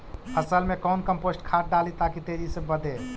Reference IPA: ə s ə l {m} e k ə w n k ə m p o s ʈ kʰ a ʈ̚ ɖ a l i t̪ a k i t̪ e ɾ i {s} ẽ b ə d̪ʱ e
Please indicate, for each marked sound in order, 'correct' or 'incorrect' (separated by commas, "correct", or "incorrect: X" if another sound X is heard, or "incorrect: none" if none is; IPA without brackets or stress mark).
correct, correct